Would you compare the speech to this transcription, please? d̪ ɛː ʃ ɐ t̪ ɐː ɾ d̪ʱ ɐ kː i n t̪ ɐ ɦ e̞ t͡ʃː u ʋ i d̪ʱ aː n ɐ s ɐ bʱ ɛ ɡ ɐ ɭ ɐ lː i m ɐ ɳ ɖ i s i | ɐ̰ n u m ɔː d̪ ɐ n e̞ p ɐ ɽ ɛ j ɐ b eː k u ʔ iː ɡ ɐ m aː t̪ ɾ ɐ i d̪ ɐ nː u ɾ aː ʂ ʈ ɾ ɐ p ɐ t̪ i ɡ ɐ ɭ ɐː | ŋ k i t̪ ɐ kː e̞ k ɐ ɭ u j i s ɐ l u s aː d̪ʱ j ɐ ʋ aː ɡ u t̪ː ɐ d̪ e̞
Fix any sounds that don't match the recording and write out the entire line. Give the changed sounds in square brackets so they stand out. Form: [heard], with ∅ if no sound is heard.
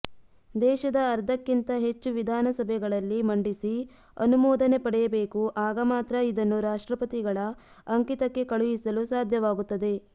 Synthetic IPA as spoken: d̪ ɛː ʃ ɐ [d̪] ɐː ɾ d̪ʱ ɐ kː i n t̪ ɐ ɦ e̞ t͡ʃː u ʋ i d̪ʱ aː n ɐ s ɐ bʱ ɛ ɡ ɐ ɭ ɐ lː i m ɐ ɳ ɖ i s i | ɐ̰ n u m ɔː d̪ ɐ n e̞ p ɐ ɽ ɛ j ɐ b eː k u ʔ [aː] ɡ ɐ m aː t̪ ɾ ɐ i d̪ ɐ nː u ɾ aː ʂ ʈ ɾ ɐ p ɐ t̪ i ɡ ɐ ɭ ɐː | ŋ k i t̪ ɐ kː e̞ k ɐ ɭ u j i s ɐ l u s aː d̪ʱ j ɐ ʋ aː ɡ u t̪ː ɐ d̪ e̞